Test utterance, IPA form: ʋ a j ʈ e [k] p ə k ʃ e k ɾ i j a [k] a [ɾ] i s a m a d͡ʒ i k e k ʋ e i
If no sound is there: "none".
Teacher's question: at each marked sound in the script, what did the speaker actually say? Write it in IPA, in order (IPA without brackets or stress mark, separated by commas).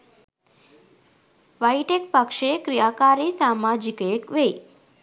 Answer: k, k, ɾ